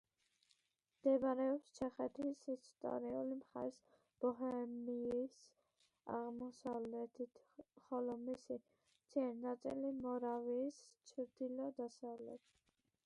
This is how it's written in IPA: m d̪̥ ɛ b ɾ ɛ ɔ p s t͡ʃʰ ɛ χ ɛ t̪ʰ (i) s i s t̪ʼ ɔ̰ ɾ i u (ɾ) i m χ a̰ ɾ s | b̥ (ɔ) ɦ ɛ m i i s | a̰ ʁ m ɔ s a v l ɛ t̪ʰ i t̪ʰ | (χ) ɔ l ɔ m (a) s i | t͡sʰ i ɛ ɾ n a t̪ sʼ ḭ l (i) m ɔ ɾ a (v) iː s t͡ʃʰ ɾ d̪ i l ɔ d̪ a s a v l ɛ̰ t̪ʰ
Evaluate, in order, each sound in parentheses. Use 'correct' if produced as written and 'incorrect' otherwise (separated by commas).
correct, incorrect, correct, correct, incorrect, correct, correct